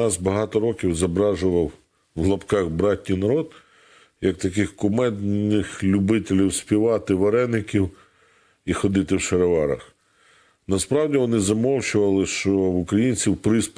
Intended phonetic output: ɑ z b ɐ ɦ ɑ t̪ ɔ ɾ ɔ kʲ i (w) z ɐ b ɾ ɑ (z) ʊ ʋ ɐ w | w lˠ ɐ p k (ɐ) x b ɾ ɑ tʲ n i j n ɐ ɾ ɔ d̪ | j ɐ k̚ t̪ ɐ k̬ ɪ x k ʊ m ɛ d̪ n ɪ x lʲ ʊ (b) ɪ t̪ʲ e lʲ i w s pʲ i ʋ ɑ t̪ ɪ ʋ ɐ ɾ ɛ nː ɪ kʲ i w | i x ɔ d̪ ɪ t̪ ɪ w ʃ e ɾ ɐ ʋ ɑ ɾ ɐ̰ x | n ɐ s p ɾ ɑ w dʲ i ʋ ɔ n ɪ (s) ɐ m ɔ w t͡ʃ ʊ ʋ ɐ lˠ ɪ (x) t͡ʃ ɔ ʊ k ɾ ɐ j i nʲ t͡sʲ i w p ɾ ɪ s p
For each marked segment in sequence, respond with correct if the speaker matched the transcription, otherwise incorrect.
correct, incorrect: ʒ, incorrect: ɑ, correct, incorrect: z, incorrect: ʃ

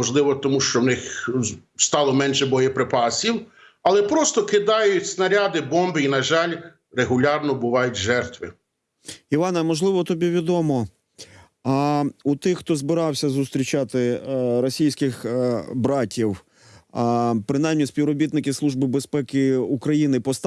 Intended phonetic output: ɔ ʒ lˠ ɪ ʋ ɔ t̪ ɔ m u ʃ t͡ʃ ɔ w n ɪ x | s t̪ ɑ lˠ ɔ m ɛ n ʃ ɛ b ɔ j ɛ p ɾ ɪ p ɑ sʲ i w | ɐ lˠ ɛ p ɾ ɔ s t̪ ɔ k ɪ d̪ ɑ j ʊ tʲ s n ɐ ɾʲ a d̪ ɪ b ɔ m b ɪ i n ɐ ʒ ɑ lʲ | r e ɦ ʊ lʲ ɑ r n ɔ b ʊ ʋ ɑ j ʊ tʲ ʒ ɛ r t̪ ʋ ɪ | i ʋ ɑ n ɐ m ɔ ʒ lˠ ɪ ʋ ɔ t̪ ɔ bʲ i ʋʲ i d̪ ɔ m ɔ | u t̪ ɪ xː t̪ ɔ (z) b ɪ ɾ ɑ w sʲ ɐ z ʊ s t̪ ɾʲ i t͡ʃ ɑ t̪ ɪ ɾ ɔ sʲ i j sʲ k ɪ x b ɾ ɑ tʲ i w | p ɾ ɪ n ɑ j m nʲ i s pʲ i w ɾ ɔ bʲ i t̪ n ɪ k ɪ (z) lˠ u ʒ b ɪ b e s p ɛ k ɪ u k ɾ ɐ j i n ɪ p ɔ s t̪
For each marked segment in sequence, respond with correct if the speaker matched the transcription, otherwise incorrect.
correct, incorrect: s

